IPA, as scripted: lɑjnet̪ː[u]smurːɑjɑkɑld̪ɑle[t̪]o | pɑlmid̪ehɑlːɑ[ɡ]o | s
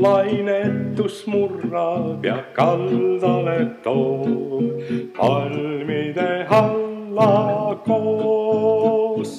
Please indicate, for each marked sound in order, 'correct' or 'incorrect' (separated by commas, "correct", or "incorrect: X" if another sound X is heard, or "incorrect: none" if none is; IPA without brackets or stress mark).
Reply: correct, correct, incorrect: k